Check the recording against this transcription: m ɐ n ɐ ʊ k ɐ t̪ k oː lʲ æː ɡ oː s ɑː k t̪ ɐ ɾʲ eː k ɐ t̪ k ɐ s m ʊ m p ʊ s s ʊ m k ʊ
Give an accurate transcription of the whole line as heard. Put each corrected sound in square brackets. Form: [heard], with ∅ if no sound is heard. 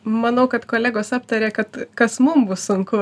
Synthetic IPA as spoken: m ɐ n ɐ ʊ k ɐ t̪ k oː lʲ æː ɡ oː s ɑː [p] t̪ ɐ ɾʲ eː k ɐ t̪ k ɐ s m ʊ m [b] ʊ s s ʊ [ŋ] k ʊ